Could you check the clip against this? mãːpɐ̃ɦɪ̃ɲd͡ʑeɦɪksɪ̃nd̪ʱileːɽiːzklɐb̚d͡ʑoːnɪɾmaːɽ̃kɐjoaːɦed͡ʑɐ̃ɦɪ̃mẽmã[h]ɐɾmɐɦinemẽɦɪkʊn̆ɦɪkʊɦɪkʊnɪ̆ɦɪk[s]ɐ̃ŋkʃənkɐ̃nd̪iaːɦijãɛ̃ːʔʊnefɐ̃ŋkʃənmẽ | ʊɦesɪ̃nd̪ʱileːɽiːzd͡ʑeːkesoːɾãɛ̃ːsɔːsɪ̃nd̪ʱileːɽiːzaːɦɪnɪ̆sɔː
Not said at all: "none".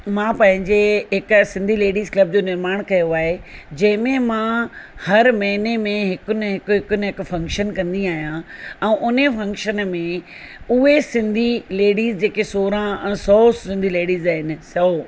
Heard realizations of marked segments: h, f

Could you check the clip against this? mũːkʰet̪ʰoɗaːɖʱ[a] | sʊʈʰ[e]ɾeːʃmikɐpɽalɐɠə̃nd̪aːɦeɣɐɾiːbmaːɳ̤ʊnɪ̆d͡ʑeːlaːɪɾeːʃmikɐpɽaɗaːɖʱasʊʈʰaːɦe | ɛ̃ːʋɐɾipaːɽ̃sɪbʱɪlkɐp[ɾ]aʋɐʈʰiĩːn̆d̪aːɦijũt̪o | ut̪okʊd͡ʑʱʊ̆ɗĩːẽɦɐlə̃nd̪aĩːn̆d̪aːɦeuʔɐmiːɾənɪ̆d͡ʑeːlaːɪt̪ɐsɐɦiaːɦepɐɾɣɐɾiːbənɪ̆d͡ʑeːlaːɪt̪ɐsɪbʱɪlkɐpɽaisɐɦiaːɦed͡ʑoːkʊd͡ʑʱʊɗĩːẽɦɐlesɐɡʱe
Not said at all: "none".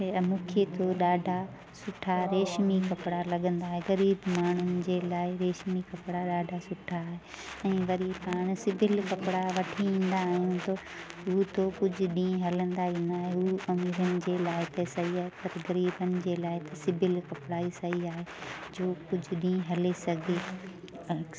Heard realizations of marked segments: a, a, ɽ

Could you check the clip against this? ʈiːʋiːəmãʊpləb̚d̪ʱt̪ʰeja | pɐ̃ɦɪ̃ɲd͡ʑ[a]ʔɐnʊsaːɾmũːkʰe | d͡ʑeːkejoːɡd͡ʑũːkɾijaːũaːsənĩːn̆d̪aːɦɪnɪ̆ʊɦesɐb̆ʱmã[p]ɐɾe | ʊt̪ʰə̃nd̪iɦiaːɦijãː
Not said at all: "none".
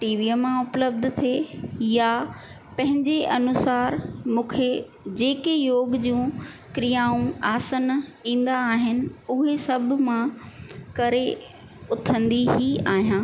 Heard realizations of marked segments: e, k

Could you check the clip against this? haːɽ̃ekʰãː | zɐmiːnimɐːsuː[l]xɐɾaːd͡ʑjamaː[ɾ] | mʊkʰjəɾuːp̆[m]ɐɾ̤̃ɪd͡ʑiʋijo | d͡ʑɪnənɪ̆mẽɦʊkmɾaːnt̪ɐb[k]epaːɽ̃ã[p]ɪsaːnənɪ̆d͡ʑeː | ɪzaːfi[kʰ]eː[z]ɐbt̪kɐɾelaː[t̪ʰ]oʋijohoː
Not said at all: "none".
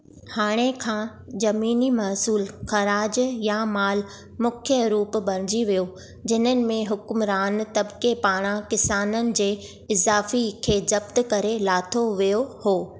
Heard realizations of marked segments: l, l, b, k, k, kʰ, z, t̪ʰ

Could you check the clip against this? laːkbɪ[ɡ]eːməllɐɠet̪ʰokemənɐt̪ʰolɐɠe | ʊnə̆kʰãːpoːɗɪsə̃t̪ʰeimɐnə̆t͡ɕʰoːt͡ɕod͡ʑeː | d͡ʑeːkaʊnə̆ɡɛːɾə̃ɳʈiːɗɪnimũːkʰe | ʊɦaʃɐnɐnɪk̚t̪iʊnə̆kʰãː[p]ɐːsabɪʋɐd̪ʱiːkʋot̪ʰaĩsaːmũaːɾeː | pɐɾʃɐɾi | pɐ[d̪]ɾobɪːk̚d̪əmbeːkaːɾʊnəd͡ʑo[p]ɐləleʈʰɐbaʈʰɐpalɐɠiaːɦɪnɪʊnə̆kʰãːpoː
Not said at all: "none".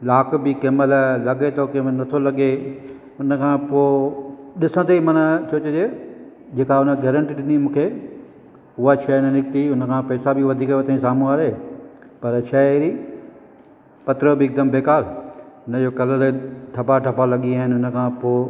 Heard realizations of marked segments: k, p, t̪, k

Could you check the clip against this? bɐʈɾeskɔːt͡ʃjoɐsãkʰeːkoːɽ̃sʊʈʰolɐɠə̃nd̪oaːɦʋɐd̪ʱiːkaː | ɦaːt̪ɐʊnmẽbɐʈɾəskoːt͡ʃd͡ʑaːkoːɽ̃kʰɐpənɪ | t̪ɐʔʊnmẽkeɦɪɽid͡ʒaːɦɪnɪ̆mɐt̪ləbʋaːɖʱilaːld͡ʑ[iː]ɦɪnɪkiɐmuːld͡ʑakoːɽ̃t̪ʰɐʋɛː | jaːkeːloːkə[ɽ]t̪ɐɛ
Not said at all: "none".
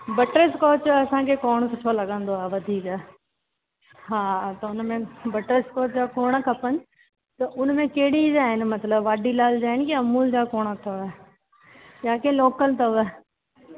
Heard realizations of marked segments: aː, l

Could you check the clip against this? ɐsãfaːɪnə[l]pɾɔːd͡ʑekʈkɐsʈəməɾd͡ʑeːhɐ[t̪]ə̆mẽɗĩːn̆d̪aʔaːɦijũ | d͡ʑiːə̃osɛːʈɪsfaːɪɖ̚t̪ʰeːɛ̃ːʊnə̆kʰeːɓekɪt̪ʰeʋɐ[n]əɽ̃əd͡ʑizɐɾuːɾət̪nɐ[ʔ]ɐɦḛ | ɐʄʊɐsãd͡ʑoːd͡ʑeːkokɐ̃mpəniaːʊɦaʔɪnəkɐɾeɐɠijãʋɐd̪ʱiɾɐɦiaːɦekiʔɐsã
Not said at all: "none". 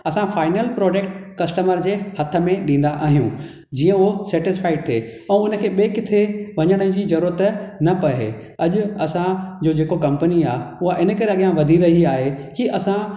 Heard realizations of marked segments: l, t̪ʰ, ɲ, p

